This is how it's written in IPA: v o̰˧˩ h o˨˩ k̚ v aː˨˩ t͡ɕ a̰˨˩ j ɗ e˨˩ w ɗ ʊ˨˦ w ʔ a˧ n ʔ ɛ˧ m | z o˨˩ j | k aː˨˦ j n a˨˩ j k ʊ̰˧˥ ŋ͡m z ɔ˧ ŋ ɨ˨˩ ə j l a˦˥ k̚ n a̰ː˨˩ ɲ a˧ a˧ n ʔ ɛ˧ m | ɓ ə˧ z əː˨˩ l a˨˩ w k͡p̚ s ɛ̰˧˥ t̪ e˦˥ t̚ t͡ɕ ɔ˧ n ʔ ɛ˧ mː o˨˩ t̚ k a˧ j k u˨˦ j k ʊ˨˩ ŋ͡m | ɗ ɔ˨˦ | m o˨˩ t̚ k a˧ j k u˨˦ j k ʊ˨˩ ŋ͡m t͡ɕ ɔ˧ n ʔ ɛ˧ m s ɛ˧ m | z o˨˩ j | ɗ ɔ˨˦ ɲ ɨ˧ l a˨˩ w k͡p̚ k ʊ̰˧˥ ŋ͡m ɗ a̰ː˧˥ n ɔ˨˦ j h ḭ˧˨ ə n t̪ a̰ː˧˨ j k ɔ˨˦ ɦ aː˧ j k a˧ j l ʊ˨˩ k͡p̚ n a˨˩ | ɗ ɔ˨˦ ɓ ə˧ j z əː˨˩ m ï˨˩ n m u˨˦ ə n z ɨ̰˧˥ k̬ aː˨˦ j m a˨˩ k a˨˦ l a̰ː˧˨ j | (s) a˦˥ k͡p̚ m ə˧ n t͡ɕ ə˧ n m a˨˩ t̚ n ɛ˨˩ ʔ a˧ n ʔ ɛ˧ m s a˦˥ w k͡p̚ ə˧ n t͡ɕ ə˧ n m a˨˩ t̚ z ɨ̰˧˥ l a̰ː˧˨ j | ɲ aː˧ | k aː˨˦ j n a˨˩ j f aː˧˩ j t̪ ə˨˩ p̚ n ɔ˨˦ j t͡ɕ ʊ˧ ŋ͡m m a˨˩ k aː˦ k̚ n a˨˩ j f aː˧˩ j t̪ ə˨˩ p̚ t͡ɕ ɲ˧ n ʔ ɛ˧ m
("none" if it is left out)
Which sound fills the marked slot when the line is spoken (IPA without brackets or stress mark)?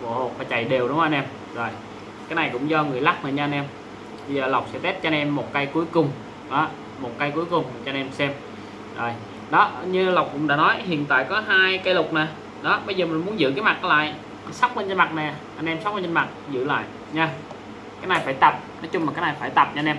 s